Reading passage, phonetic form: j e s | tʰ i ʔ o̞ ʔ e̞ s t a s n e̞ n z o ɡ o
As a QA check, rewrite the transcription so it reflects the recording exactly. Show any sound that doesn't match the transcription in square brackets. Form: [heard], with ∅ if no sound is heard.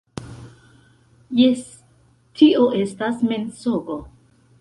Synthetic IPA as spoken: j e s | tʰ i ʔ o̞ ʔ e̞ s t a s [m] e̞ n [s] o ɡ o

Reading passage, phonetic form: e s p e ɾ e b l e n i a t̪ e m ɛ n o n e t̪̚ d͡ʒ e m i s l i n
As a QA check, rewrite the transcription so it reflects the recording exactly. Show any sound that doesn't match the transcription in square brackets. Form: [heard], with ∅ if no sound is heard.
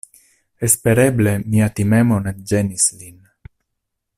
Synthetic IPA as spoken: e s p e ɾ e b l e [m] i a t̪ [i] m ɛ [m] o n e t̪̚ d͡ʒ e [n] i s l i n

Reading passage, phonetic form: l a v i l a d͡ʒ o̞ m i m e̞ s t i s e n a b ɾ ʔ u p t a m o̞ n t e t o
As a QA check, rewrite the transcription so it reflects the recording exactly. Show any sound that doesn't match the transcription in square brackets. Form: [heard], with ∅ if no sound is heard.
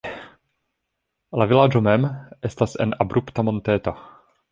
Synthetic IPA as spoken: l a v i l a d͡ʒ o̞ m [e] m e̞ s t [a] s e n a b ɾ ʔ u p t a m o̞ n t e t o

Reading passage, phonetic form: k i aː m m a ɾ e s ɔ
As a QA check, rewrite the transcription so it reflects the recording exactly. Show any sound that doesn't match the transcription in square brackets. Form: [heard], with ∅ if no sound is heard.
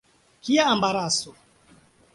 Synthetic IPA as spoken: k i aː m [b] a ɾ [a] s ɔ

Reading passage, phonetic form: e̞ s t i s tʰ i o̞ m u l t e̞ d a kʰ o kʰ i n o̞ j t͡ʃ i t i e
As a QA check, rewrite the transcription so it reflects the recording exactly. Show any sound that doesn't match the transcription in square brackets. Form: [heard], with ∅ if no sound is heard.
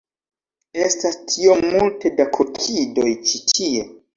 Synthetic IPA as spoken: e̞ s t [a] s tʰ i o̞ m u l t e̞ d a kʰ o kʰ i [d] o̞ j t͡ʃ i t i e

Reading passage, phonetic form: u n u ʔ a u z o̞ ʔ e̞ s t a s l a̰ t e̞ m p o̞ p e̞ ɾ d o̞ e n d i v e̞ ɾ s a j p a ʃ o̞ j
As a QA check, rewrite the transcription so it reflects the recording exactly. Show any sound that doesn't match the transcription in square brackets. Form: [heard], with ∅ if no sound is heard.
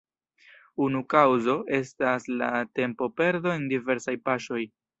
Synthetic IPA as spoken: u n u [k] a [w] z o̞ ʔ e̞ s t a s l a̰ t e̞ m p o̞ p e̞ ɾ d o̞ e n d i v e̞ ɾ s a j p a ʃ o̞ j

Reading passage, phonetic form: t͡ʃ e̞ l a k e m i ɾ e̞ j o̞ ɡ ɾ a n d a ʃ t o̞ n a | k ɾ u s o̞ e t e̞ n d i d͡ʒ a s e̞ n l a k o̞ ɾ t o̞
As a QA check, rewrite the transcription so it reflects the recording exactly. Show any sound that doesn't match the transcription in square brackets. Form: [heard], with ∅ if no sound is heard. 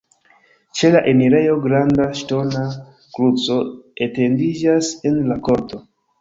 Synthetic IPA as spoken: t͡ʃ e̞ l a [ʔ] e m i ɾ e̞ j o̞ ɡ ɾ a n d a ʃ t o̞ n a | k ɾ u [t͡s] o̞ e t e̞ n d i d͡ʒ a s e̞ n l a k o̞ ɾ t o̞

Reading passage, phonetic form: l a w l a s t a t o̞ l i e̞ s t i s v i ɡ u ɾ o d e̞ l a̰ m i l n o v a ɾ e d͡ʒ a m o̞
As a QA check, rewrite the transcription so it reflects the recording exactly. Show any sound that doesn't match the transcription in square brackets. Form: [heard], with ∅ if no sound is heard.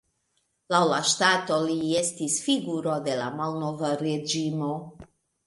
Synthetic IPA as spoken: l a w l a [ʃ] t a t o̞ l i e̞ s t i s [f] i ɡ u ɾ o d e̞ l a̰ m [a] l n o v a ɾ e d͡ʒ [i] m o̞

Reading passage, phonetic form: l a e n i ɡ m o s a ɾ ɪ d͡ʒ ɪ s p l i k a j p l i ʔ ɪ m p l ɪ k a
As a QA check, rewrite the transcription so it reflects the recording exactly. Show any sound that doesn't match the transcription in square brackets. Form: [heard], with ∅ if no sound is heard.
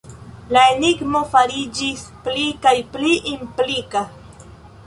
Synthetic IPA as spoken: l a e n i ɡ m o [f] a ɾ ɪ d͡ʒ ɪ s p l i k a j p l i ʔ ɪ m p l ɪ k a

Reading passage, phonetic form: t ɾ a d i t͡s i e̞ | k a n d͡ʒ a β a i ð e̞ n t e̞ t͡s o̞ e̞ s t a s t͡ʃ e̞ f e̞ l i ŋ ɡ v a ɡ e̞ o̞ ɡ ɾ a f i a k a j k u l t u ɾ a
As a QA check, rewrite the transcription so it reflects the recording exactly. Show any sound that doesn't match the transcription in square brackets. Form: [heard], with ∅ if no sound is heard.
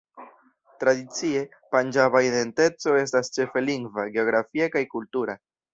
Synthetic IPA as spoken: t ɾ a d i t͡s i e̞ | [p] a n d͡ʒ a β a i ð e̞ n t e̞ t͡s o̞ e̞ s t a s t͡ʃ e̞ f e̞ l i ŋ ɡ v a ɡ e̞ o̞ ɡ ɾ a f i a k a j k u l t u ɾ a

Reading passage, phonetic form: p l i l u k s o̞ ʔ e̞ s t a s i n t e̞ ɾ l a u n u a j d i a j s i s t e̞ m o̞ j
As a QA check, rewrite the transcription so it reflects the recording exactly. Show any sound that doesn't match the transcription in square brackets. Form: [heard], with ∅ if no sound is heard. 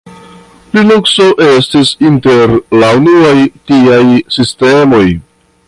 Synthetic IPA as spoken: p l i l u k s o̞ ʔ e̞ s t [i] s i n t e̞ ɾ l a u n u a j [t] i a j s i s t e̞ m o̞ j

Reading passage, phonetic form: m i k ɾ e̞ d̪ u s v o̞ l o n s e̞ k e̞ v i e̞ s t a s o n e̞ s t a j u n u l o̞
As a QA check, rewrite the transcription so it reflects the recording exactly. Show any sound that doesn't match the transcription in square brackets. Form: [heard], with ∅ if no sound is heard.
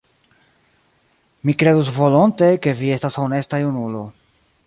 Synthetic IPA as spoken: m i k ɾ e̞ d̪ u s v o̞ l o n [t] e̞ k e̞ v i e̞ s t a s o n e̞ s t a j u n u l o̞

